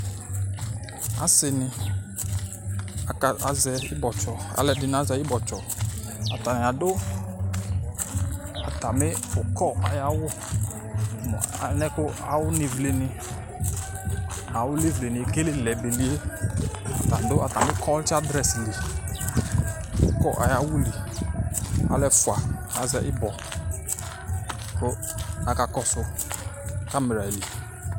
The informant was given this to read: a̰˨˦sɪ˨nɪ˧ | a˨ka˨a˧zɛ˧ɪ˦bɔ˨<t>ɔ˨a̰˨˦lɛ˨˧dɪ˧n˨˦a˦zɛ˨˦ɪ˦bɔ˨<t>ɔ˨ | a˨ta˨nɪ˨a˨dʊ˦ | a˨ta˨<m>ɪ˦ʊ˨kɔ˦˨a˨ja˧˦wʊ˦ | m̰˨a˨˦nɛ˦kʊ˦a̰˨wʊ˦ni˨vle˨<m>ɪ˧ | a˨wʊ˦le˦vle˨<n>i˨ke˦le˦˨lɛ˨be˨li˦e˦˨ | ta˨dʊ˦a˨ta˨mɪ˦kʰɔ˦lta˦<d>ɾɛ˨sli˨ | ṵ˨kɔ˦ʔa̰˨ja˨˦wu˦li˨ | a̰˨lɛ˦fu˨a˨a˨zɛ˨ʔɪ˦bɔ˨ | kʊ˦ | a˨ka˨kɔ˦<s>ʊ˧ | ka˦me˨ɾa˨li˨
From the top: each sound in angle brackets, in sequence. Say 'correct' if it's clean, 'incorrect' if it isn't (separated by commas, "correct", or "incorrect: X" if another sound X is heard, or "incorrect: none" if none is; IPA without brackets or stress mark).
incorrect: t͡ʃ, incorrect: t͡ʃ, correct, incorrect: n, correct, correct, correct